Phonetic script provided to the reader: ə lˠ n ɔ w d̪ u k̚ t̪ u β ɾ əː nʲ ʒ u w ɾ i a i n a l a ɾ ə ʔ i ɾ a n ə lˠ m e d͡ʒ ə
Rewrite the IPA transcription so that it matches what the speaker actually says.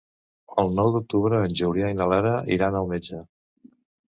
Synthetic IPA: ə lˠ n ɔ w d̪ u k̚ t̪ u β ɾ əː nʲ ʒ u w ɾ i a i n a l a ɾ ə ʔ i ɾ a n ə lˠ m e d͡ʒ ə